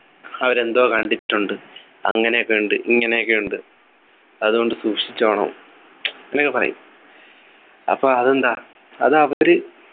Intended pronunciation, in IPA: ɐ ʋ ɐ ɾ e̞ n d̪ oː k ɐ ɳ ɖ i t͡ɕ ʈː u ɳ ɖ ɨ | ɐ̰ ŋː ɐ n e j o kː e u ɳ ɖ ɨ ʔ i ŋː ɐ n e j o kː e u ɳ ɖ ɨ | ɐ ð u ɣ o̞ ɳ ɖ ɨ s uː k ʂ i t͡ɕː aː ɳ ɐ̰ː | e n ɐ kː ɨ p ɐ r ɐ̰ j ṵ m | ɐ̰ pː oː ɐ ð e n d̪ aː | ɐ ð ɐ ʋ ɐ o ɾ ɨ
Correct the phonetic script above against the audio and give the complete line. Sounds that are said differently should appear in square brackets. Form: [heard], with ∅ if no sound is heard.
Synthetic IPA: ɐ ʋ ɐ ɾ e̞ n d̪ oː k ɐ ɳ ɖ i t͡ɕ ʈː u ɳ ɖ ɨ | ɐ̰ ŋː ɐ n e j o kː e u ɳ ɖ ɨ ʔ i ŋː ɐ n e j o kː e u ɳ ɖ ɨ | ɐ ð u ɣ o̞ ɳ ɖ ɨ s uː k ʂ i t͡ɕː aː ɳ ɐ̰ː | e n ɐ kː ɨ p ɐ r ɐ̰ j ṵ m | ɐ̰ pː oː ɐ ð e n d̪ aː | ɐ ð ɐ ʋ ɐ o ɾ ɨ